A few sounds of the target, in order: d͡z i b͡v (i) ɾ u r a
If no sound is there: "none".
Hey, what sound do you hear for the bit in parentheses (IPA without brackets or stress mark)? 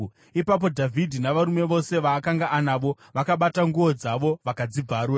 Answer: a